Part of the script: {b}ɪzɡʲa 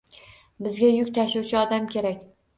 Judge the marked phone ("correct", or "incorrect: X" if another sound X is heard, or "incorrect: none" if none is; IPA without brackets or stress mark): correct